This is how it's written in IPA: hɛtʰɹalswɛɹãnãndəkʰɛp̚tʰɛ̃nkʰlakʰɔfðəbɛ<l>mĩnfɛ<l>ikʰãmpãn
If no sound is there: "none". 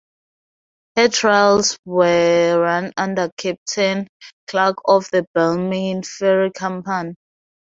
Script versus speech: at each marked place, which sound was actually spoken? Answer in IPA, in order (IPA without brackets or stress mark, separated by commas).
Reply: l, ɹ